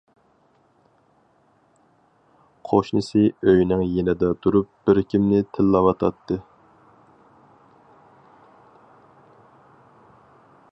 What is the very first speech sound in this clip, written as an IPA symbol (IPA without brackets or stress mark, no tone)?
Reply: qʰ